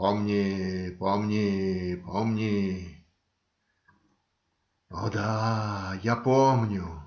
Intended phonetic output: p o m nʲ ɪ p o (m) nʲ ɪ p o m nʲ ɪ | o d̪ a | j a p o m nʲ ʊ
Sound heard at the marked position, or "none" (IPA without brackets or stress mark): m